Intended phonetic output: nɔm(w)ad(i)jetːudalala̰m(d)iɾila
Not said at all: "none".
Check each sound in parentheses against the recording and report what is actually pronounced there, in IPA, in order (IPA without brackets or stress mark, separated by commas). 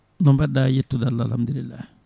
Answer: b, a, d